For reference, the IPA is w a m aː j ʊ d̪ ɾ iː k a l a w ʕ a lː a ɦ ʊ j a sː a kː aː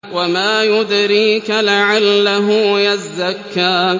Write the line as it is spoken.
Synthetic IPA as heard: w a m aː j ʊ d̪ ɾ iː k a l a ʕ a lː a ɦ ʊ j a zː a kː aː